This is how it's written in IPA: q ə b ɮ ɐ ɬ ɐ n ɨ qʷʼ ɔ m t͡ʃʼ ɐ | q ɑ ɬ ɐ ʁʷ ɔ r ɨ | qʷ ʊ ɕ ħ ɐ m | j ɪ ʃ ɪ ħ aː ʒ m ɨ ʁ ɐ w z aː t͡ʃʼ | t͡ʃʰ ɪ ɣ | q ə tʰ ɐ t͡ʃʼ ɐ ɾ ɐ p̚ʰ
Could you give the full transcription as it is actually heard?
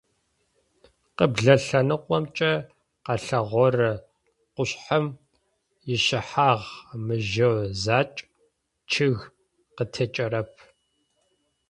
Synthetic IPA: q ə b ɮ ɐ ɬ ɐ n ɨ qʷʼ ɔ m t͡ʃʼ ɐ | q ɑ ɬ ɐ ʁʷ ɔ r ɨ | qʷ ʊ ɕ ħ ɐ m | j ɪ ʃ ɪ ħ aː ʁ m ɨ ʒ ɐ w z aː t͡ʃʼ | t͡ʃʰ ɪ ɣ | q ə tʰ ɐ t͡ʃʼ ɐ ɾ ɐ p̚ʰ